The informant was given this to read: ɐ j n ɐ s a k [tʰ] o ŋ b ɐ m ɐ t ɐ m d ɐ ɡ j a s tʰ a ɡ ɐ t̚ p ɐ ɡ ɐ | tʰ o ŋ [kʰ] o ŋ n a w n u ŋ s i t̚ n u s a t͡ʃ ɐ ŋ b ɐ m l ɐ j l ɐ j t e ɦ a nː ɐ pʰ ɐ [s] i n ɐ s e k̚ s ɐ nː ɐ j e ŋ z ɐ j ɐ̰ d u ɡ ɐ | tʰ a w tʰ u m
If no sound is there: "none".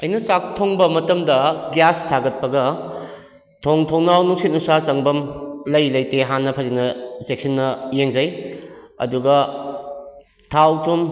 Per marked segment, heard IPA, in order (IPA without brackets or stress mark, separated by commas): tʰ, tʰ, z